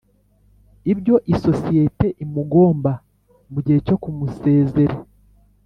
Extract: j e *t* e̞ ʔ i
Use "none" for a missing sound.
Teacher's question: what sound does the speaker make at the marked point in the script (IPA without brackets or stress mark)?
t